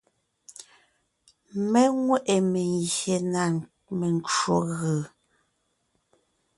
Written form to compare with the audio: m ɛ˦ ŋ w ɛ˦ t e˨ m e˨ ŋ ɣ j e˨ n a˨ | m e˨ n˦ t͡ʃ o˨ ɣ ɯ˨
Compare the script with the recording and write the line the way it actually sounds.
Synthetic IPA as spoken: m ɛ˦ ŋ w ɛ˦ ʔ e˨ m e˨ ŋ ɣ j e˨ n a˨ | m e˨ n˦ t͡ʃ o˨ ɣ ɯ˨